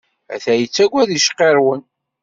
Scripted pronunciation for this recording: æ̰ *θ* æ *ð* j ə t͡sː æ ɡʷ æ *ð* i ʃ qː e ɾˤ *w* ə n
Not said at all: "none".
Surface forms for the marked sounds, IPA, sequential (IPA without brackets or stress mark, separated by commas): θ, none, ð, w